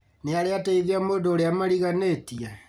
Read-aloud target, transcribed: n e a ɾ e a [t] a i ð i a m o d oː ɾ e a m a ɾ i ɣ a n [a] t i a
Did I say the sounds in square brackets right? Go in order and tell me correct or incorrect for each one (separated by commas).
correct, incorrect